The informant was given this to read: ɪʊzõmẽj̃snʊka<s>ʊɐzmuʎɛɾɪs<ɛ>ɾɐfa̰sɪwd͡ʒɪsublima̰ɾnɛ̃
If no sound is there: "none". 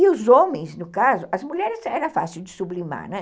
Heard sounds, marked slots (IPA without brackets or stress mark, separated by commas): z, ɛ